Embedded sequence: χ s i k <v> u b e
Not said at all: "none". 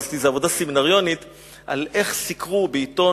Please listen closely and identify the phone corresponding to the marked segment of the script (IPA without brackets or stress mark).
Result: ʁ